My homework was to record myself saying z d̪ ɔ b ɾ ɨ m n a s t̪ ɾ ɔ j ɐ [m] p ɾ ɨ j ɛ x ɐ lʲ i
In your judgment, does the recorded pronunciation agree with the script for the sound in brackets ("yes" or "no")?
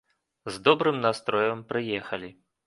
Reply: yes